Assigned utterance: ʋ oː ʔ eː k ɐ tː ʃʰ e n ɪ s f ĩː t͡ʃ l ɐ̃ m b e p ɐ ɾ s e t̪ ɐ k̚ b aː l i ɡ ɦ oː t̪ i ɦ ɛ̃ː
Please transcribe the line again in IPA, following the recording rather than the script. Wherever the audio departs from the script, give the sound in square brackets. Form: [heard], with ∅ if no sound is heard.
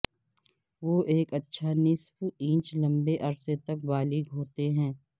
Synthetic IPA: ʋ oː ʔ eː k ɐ tː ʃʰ [a] n ɪ s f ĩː t͡ʃ l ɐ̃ m b e [ʔ] ɐ ɾ s e t̪ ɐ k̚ b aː l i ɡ ɦ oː t̪ [e] ɦ ɛ̃ː